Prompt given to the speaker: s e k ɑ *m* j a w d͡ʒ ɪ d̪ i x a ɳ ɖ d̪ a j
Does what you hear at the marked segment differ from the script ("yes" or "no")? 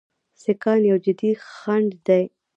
yes